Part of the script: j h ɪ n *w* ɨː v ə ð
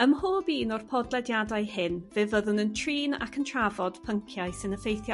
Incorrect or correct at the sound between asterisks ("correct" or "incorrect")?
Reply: incorrect